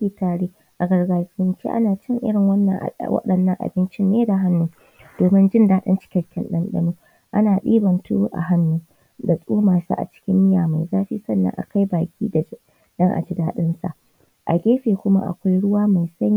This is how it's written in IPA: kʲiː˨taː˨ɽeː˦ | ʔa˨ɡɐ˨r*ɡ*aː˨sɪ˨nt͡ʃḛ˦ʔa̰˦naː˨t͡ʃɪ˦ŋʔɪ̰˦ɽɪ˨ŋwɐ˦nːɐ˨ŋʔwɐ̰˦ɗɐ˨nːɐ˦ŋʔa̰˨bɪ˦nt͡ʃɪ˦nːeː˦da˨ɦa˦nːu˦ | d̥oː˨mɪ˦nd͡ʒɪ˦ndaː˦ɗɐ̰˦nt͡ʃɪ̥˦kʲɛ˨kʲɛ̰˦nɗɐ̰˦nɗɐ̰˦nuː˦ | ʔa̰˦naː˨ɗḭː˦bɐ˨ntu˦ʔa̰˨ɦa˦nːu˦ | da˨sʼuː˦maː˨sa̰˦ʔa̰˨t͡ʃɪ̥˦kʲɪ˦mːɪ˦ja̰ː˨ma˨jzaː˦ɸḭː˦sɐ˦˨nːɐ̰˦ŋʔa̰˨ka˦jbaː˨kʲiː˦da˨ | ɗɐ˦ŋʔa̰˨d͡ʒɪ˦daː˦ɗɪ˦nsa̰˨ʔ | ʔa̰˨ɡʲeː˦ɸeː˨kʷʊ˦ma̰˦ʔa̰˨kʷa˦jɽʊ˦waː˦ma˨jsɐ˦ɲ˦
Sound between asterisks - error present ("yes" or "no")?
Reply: no